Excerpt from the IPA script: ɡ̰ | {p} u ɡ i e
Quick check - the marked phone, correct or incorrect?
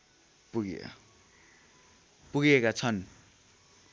correct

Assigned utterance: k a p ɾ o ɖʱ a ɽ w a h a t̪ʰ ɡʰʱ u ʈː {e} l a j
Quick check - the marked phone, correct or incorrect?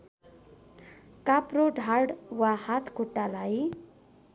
incorrect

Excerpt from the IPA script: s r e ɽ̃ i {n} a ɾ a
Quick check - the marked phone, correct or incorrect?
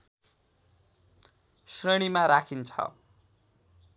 incorrect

